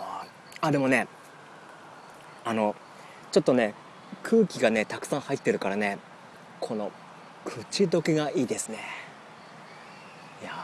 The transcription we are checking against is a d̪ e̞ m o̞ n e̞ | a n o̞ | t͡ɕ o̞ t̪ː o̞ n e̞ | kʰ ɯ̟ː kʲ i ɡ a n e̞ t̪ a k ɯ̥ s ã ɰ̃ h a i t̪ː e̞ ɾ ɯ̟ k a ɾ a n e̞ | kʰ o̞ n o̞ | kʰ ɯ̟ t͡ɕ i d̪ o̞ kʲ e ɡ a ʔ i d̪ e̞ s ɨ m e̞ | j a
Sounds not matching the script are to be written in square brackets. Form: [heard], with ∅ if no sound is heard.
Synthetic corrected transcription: a d̪ e̞ m o̞ n e̞ | a n o̞ | t͡ɕ o̞ t̪ː o̞ n e̞ | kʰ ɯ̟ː kʲ i ɡ a n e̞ t̪ a k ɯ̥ s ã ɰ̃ h a i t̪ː e̞ ɾ ɯ̟ k a ɾ a n e̞ | kʰ o̞ n o̞ | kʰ ɯ̟ t͡ɕ i d̪ o̞ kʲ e ɡ a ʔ [iː] d̪ e̞ s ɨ [n] e̞ | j a